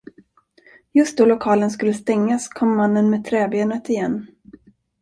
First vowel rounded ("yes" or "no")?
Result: yes